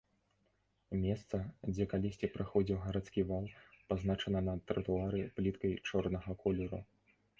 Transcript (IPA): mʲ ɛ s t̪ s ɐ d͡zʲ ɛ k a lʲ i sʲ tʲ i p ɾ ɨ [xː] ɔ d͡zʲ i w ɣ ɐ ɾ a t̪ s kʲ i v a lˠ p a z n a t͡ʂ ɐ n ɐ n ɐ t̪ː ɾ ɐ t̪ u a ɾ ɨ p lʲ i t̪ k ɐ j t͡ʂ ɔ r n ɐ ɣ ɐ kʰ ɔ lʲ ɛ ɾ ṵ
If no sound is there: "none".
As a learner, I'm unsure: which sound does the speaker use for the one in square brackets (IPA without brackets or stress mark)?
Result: x